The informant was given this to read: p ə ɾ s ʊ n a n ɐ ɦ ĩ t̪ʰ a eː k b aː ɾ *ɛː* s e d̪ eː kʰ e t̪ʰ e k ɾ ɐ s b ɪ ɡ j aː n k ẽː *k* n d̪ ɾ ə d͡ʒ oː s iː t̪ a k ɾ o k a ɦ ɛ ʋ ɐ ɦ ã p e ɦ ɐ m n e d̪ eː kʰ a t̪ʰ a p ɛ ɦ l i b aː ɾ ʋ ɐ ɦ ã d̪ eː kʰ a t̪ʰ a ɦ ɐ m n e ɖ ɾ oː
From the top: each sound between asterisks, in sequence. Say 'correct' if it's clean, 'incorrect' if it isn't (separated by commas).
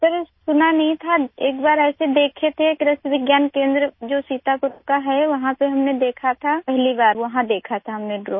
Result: correct, incorrect